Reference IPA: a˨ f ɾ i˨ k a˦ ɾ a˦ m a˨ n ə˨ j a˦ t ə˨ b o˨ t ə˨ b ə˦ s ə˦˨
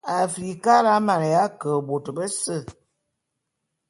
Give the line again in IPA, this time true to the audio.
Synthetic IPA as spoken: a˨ f ɾ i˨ k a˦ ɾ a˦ m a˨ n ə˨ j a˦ k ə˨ b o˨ t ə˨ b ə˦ s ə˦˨